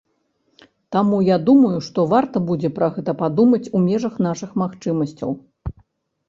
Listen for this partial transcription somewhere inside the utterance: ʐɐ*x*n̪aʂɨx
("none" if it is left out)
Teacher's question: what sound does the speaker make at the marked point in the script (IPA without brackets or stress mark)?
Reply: x